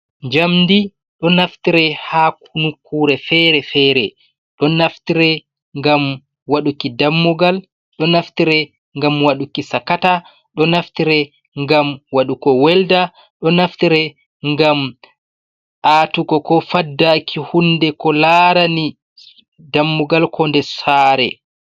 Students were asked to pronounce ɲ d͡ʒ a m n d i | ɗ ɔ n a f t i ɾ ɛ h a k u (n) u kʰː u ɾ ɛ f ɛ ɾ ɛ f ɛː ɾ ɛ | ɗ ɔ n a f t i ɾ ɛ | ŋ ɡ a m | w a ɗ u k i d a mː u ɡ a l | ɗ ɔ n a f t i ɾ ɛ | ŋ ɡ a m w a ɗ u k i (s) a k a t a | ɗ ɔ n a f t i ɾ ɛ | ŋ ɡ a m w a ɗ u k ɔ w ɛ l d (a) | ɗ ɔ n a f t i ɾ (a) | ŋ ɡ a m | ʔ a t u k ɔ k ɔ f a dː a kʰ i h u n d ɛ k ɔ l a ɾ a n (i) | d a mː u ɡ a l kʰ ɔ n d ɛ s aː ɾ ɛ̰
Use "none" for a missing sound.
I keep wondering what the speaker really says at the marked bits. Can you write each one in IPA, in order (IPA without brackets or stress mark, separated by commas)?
n, s, a, ɛ, i